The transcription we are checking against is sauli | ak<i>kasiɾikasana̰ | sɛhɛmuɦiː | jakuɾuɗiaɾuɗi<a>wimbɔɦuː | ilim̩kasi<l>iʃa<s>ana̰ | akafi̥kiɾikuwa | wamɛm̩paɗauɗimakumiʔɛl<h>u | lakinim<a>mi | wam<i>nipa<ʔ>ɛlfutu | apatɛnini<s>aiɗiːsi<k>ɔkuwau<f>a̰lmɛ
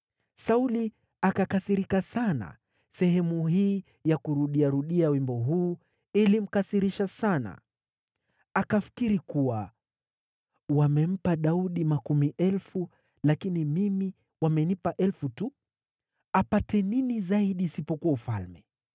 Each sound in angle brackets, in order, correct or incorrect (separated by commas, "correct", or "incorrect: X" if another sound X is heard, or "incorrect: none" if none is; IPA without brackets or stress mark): incorrect: a, correct, incorrect: ɾ, correct, incorrect: f, incorrect: i, incorrect: ɛ, correct, incorrect: z, incorrect: p, correct